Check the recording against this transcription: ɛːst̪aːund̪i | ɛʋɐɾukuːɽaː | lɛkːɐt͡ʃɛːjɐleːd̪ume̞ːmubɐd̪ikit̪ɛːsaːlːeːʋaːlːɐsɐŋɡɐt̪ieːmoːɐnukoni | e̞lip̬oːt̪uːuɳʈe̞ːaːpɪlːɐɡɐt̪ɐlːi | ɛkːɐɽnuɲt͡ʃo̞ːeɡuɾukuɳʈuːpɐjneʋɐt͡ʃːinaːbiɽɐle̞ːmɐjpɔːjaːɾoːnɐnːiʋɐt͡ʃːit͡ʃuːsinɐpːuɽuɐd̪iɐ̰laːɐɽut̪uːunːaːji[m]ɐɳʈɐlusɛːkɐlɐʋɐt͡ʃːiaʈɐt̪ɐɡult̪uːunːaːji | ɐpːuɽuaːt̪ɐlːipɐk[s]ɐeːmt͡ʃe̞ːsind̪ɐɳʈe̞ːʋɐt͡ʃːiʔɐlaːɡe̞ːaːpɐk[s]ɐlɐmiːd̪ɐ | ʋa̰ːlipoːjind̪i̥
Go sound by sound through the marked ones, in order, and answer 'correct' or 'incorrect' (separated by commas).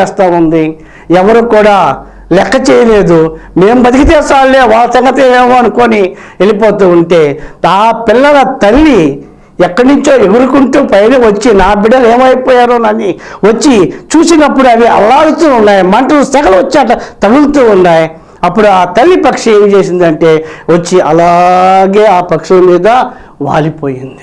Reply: correct, incorrect, incorrect